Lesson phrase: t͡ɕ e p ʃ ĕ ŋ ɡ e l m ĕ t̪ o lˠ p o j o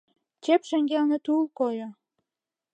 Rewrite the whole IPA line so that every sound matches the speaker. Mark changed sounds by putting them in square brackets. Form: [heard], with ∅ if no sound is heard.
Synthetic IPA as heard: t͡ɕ e p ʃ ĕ ŋ ɡ e l [n] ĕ t̪ [u] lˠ [k] o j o

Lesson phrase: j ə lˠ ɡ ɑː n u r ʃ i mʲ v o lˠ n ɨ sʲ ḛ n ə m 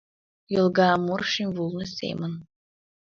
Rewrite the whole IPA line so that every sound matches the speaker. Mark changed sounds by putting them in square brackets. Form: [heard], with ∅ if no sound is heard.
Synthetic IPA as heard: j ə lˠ ɡ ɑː [m] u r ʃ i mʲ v [u] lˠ n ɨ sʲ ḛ [m] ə [n]

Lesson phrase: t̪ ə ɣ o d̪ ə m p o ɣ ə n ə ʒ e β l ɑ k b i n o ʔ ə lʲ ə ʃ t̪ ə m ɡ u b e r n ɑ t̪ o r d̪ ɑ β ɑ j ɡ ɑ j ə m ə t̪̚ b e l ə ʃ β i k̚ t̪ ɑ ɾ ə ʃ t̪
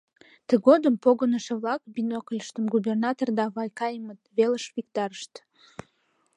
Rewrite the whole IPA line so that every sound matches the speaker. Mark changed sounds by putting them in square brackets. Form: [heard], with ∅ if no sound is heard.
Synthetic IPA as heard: t̪ ə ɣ o d̪ ə m p o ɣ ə n ə [ʃ] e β l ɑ k b i n o [k] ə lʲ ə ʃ t̪ ə m ɡ u b e r n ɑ t̪ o r d̪ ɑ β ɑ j [k] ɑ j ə m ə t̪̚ [β] e l ə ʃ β i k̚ t̪ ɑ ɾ ə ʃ t̪

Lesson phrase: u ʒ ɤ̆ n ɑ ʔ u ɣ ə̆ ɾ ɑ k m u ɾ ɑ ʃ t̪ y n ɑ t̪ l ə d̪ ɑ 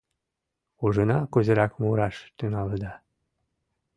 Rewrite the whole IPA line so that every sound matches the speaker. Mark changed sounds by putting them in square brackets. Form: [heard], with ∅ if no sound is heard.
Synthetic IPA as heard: u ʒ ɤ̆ n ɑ [k] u [z] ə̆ ɾ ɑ k m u ɾ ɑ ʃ t̪ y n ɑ [∅] l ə d̪ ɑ

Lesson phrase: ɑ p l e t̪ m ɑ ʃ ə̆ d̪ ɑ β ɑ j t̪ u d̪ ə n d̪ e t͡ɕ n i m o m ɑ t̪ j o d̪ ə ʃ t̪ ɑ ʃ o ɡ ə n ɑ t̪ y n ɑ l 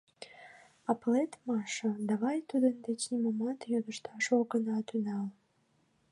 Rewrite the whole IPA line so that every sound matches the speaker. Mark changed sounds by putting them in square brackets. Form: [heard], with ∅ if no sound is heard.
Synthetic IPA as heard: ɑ p l e t̪ m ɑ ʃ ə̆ d̪ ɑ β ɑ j t̪ u d̪ ə n d̪ e t͡ɕ n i m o m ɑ t̪ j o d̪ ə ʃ t̪ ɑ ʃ o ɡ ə n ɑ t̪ y n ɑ l

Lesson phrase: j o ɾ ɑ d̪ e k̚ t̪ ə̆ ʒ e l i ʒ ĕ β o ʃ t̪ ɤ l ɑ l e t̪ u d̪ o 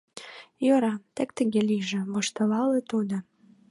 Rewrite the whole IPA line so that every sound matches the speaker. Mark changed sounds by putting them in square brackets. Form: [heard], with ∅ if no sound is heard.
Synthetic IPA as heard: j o ɾ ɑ [t̪] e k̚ t̪ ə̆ [ɣ] e l i ʒ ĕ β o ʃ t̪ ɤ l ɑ l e t̪ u d̪ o

